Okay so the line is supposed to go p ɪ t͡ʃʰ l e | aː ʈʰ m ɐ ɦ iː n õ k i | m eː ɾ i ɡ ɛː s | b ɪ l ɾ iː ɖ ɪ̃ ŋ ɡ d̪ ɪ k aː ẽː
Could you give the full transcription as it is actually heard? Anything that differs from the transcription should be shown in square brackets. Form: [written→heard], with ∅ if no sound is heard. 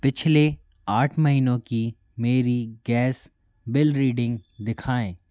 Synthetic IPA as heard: p ɪ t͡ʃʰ l e | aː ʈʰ m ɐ ɦ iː n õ k i | m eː ɾ i ɡ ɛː s | b ɪ l ɾ iː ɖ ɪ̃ ŋ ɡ d̪ ɪ [k→kʰ] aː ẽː